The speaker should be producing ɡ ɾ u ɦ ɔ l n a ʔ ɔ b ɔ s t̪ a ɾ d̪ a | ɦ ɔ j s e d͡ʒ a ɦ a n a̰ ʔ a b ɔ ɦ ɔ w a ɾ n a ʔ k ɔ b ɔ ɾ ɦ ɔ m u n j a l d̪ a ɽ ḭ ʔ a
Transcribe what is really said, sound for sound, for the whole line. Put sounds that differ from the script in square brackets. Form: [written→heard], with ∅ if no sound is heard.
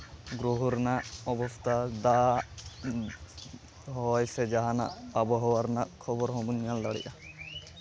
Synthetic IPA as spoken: ɡ ɾ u ɦ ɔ [l→ɾ] n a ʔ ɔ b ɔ s t̪ a [ɾ→∅] d̪ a | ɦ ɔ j s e d͡ʒ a ɦ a n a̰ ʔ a b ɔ ɦ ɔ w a ɾ n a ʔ [k→kʰ] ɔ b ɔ ɾ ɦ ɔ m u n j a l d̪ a ɽ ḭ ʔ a

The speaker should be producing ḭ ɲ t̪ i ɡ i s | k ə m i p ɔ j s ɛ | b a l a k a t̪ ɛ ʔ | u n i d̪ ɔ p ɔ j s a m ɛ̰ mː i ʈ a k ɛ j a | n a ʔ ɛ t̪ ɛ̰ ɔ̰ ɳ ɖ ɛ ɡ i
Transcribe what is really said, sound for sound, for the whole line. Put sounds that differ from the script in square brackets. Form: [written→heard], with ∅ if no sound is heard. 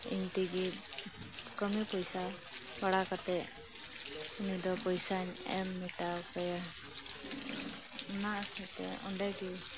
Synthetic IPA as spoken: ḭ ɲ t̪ i ɡ i [s→∅] | k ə m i p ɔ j s [ɛ→a] | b a [l→ɽ] a k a t̪ ɛ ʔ | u n i d̪ ɔ p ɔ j s a [m→ɲ] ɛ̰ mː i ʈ a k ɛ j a | n a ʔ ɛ t̪ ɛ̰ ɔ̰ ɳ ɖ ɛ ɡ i

